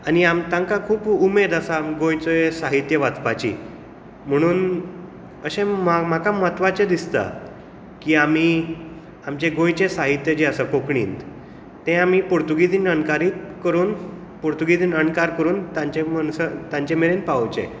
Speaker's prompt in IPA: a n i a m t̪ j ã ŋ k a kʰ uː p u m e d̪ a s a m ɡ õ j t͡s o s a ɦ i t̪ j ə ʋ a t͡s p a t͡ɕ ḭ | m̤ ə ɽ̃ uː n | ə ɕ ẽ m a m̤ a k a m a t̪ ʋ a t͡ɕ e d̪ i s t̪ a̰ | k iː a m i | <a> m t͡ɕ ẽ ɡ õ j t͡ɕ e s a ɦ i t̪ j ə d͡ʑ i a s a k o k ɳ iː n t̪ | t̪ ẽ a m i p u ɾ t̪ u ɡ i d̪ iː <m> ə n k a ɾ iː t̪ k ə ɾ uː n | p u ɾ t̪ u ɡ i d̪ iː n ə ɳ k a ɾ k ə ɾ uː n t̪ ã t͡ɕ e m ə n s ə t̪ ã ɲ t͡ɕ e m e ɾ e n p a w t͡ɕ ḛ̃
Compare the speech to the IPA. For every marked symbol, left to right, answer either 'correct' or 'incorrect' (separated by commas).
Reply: correct, incorrect